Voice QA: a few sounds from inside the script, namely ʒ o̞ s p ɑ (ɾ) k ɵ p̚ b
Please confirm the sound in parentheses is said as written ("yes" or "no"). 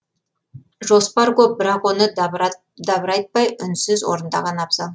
yes